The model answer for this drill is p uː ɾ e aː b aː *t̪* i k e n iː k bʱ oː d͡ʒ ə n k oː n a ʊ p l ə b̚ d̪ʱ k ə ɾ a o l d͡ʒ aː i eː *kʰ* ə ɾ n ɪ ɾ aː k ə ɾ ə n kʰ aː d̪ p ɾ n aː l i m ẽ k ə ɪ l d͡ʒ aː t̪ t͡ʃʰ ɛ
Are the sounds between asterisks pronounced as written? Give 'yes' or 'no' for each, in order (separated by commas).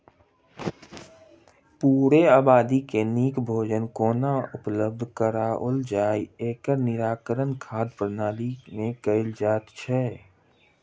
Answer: no, no